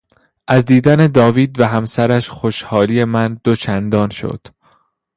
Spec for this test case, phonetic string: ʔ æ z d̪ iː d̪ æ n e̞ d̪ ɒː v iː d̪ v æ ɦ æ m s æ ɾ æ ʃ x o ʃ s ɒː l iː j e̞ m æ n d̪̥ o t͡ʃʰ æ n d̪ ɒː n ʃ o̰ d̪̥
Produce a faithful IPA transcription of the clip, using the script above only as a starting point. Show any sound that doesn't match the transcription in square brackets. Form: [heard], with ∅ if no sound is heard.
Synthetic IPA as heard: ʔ æ z d̪ iː d̪ æ n e̞ d̪ ɒː v iː d̪ v æ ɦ æ m s æ ɾ æ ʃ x o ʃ [h] ɒː l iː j e̞ m æ n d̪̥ o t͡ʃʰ æ n d̪ ɒː n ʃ o̰ d̪̥